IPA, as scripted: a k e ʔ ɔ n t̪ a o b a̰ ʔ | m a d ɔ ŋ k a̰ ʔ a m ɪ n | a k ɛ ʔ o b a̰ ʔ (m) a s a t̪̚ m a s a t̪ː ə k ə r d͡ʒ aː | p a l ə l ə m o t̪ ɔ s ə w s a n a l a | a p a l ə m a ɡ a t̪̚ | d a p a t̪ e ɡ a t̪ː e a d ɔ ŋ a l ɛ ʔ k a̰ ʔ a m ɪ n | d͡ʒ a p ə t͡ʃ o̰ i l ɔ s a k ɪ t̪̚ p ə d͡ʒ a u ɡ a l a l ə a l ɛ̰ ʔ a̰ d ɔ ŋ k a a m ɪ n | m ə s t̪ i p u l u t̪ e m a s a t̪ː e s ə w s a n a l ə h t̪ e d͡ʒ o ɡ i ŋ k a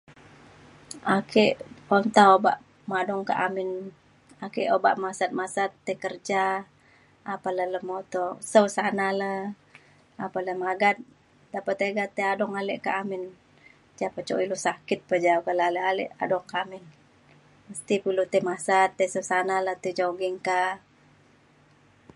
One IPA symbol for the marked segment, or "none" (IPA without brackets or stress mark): m